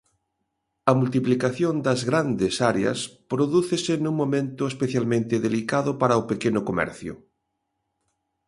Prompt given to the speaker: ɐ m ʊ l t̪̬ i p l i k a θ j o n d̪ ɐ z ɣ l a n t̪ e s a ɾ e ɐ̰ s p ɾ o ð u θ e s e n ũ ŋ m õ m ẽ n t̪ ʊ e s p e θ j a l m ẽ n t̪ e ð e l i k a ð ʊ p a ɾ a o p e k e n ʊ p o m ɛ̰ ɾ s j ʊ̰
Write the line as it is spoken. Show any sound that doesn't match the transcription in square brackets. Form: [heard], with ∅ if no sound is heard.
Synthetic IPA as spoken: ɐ m [u] l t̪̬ i p l i k a θ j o n d̪ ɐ z ɣ [ɾ] a n [d̪] e s a ɾ e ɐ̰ s p ɾ o ð u θ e s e n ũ ŋ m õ m ẽ n t̪ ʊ e s p e θ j a l m ẽ n t̪ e ð e l i k a ð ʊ p a ɾ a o p e k e n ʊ [k] o m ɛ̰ ɾ [θ] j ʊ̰